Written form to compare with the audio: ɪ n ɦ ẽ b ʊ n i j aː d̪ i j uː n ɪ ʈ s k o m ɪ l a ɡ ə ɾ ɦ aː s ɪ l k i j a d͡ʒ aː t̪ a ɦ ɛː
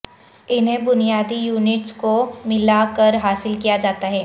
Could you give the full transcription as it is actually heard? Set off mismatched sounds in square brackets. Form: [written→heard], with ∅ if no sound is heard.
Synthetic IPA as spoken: ɪ n ɦ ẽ b ʊ n i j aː d̪ i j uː n ɪ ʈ s k o m ɪ l a [ɡ→k] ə ɾ ɦ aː s ɪ l k i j a d͡ʒ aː t̪ a ɦ ɛː